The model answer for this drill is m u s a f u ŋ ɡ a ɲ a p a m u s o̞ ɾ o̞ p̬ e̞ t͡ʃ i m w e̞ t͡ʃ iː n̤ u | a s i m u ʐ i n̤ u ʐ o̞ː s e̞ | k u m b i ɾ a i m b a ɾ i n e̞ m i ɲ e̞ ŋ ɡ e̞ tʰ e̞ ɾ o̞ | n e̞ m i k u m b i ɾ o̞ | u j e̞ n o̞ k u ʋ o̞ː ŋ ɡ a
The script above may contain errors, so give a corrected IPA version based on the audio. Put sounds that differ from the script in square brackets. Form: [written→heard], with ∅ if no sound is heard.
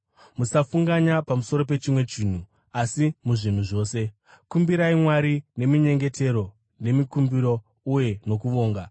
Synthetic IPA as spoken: m u s a f u ŋ ɡ a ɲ a p a m u s o̞ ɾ o̞ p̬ e̞ t͡ʃ i m w e̞ t͡ʃ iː n̤ u | a s i m u ʐ i n̤ u ʐ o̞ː s e̞ | k u m b i ɾ a i m [b→w] a ɾ i n e̞ m i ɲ e̞ ŋ ɡ e̞ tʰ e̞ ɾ o̞ | n e̞ m i k u m b i ɾ o̞ | u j e̞ n o̞ k u ʋ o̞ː ŋ ɡ a